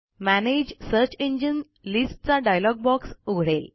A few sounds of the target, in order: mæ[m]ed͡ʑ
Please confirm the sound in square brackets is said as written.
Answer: no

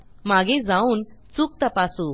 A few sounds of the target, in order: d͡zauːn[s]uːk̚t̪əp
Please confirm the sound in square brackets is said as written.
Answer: no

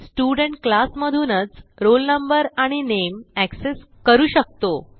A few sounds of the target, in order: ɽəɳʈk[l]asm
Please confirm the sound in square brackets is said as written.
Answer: yes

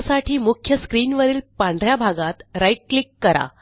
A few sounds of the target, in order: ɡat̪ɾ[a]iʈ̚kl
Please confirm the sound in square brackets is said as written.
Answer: yes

